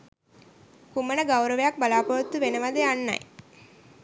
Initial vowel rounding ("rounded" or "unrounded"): rounded